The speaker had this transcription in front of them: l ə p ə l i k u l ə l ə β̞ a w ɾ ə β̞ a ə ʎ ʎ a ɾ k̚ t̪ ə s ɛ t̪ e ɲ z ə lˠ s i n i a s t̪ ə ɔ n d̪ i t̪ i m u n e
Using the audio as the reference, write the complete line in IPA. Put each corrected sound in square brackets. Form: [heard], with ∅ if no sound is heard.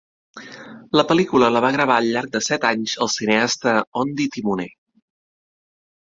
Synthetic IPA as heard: l ə p ə l i k u l ə l ə β̞ a [ɣ] ɾ ə β̞ a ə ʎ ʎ a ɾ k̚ [d̪] ə s ɛ t̪ [a] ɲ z ə lˠ s i n [e] a s t̪ ə ɔ n d̪ i t̪ i m u n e